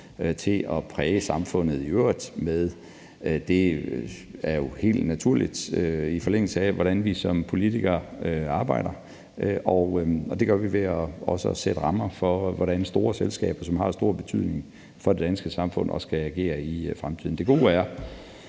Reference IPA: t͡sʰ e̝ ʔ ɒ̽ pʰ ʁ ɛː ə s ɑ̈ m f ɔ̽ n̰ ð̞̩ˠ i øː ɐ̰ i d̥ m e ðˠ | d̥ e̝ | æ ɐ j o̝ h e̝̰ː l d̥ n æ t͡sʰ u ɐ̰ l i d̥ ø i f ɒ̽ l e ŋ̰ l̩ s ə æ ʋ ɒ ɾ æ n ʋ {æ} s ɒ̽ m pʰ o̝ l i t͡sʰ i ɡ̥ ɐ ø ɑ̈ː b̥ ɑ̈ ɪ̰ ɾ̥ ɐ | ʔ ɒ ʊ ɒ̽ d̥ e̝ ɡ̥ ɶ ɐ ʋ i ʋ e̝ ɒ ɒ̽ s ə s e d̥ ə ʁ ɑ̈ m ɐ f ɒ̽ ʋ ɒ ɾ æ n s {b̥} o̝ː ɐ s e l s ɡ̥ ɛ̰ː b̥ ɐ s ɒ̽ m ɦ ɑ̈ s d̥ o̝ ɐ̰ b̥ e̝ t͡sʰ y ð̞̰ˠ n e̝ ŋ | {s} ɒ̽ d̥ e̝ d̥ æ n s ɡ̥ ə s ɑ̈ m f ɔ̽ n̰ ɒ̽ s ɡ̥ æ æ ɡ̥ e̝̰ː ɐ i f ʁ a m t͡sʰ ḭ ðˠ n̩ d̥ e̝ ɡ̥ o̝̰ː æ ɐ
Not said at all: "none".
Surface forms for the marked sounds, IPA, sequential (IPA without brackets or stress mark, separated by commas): i, d̥, f